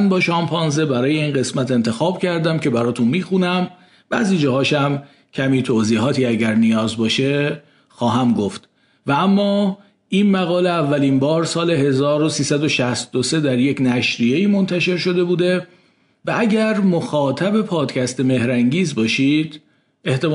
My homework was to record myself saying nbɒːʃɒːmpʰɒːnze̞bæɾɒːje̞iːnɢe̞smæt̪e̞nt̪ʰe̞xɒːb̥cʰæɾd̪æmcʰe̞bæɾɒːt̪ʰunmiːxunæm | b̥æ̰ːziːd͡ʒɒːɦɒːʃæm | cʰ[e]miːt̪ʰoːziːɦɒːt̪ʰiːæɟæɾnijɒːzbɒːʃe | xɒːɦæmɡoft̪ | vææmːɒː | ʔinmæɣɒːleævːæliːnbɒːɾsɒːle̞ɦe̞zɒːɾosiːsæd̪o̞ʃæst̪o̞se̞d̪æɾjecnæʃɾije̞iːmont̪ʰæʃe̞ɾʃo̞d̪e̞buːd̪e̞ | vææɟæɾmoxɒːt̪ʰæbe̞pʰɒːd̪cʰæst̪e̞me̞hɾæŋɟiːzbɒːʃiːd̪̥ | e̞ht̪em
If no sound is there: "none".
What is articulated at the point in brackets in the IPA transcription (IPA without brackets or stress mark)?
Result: æ